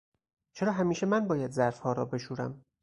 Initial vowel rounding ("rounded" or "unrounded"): unrounded